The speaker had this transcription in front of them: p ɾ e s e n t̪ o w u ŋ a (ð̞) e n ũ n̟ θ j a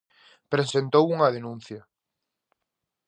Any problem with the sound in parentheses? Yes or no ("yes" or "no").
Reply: no